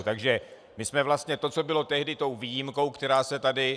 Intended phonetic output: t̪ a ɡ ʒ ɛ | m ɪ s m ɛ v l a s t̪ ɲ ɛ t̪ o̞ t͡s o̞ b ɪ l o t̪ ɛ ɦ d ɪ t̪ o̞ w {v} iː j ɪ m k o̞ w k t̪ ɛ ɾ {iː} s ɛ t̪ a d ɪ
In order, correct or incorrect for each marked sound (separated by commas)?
correct, incorrect